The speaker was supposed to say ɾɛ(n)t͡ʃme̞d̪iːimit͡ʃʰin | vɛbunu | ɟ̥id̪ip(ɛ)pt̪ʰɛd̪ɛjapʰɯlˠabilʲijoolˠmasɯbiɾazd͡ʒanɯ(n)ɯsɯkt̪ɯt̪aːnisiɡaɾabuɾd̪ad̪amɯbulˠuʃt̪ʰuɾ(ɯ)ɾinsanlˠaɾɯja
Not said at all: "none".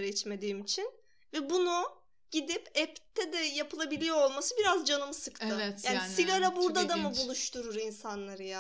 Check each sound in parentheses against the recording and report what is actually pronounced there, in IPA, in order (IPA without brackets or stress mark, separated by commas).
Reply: none, ɛ, m, u